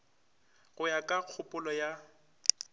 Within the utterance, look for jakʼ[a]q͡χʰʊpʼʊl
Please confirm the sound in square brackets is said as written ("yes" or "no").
yes